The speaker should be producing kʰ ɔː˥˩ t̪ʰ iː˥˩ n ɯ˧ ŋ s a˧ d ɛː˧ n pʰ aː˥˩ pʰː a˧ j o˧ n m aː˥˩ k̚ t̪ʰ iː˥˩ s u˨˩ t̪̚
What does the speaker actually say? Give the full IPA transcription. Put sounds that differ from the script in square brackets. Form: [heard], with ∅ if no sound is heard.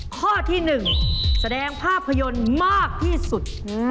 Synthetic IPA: kʰ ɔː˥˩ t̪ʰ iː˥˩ n [ɯ˨˩] ŋ s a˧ d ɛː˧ [ŋ] pʰ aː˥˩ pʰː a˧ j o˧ n m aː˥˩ k̚ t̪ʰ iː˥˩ s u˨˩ t̪̚

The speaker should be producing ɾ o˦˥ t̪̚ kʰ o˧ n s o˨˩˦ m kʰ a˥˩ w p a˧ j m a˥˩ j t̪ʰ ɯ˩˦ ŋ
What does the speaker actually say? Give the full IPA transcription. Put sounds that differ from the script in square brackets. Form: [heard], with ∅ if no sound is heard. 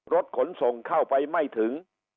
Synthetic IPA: ɾ o˦˥ t̪̚ kʰ [o˩˦] n s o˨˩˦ [ŋ] kʰ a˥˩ w p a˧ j m a˥˩ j t̪ʰ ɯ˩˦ ŋ

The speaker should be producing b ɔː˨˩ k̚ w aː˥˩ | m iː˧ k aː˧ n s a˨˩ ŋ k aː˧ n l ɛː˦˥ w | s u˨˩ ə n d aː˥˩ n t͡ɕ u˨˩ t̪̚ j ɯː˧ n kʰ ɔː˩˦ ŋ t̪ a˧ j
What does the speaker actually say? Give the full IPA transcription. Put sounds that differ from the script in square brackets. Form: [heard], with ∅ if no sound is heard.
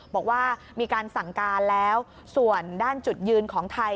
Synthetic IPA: b ɔː˨˩ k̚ w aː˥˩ | m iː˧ k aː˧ n s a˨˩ ŋ k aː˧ n l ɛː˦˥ w | s u˨˩ ə n d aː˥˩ n t͡ɕ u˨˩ t̪̚ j ɯː˧ n kʰ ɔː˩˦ ŋ [t̪ʰ] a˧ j

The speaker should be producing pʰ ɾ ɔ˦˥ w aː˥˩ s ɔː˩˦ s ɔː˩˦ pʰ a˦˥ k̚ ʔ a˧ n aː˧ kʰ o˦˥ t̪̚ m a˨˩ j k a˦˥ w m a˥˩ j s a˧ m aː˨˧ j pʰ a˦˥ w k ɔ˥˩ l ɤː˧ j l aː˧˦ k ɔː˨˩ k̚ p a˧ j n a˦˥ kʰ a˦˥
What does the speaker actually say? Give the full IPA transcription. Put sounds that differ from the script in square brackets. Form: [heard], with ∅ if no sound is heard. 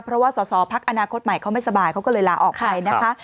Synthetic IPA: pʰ ɾ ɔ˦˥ w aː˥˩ s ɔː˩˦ s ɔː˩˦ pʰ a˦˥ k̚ ʔ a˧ n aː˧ kʰ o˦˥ t̪̚ m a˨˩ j [kʰ] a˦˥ w m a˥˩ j s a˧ [b] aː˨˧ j [kʰ] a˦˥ w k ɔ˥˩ l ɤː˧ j l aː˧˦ [ʔ] ɔː˨˩ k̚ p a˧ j n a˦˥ kʰ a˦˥

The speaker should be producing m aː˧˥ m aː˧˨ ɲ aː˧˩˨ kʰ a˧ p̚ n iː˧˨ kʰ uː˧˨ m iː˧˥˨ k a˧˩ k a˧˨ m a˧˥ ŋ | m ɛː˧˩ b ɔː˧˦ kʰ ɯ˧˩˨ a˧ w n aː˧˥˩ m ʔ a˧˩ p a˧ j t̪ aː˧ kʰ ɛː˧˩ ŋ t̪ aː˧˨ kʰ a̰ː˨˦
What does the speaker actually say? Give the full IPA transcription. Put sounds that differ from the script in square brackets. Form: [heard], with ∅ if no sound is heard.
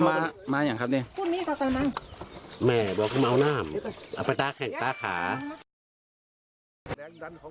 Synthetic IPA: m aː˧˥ m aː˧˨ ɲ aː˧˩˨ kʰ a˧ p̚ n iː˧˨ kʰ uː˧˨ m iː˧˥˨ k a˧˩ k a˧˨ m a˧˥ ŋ | m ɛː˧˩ b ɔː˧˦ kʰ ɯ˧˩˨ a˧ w n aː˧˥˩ m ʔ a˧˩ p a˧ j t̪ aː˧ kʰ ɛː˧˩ ŋ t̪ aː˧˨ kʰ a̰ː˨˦

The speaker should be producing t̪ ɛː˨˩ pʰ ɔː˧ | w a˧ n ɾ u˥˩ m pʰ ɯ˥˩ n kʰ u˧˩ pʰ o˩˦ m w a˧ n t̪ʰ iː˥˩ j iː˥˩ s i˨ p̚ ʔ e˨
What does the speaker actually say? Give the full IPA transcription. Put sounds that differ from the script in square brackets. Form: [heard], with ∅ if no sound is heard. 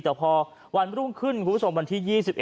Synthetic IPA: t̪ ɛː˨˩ pʰ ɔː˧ | w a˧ n ɾ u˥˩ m [kʰ] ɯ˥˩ n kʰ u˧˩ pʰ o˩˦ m w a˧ n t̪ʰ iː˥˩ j iː˥˩ s i˨ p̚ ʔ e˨

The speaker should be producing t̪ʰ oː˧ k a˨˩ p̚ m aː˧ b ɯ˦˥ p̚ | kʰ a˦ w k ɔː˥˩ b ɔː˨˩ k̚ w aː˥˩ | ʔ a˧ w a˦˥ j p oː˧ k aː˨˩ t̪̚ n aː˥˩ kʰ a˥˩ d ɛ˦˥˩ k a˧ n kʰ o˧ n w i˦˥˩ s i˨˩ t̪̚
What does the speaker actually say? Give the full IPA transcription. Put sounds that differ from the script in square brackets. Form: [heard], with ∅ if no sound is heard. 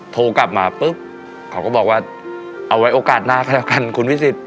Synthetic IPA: t̪ʰ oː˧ k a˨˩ p̚ m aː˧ [p] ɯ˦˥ p̚ | kʰ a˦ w k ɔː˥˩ b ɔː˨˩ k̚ w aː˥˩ | ʔ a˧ w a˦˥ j [ʔ] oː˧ k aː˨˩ t̪̚ n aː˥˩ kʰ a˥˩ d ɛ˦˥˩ k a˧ n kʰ [u˧] n w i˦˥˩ s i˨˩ t̪̚

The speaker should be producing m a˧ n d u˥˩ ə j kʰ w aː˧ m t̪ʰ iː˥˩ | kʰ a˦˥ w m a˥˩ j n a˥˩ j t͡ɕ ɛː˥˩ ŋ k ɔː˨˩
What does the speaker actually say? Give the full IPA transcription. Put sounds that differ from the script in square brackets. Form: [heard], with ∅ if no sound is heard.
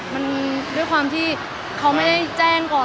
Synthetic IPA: m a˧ n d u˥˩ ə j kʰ w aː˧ m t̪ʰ iː˥˩ | kʰ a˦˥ w m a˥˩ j [d] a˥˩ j t͡ɕ ɛː˥˩ ŋ k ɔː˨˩

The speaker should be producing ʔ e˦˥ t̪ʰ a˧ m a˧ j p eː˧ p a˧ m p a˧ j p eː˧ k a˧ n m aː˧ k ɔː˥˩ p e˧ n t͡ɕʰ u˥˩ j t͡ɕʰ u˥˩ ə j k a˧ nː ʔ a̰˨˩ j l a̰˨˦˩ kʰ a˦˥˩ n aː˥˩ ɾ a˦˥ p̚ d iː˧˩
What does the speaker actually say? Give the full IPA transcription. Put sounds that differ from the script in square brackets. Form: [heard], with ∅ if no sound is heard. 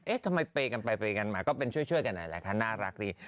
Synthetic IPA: ʔ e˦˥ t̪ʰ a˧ m a˧ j p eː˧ [k] a˧ [n] p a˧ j p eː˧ k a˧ n m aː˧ k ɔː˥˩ p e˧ n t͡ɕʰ u˥˩ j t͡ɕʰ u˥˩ ə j k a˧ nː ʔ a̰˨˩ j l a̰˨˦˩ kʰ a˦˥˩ n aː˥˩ ɾ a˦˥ [k̚] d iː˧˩

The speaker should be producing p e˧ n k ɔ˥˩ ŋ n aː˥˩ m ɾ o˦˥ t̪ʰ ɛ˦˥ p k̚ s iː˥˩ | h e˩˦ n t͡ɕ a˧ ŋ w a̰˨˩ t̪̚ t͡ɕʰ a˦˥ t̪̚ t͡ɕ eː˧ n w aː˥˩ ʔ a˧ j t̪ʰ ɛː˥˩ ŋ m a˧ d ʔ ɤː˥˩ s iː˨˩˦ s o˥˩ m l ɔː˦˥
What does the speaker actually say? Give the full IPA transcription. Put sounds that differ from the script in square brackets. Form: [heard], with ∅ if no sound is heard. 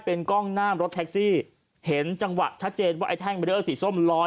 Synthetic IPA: p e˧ n k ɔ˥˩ ŋ n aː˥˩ m ɾ o˦˥ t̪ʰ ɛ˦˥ [∅] k̚ s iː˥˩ | h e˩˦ n t͡ɕ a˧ ŋ w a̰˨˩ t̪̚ t͡ɕʰ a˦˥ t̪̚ t͡ɕ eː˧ n w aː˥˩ ʔ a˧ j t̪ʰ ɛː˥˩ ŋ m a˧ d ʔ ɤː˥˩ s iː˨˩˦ s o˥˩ m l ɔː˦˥

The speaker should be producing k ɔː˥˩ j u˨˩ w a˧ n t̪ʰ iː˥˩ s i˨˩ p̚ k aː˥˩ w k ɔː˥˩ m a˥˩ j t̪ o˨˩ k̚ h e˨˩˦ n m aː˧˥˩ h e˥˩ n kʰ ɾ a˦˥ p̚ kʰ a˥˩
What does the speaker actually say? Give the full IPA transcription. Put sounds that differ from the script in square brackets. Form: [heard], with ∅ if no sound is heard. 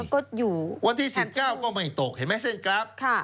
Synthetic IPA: k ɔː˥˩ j [uː˨˩] w a˧ n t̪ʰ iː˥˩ s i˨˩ p̚ k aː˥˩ w k ɔː˥˩ m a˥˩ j t̪ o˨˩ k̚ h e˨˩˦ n m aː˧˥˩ [s] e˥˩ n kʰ ɾ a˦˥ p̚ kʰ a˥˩

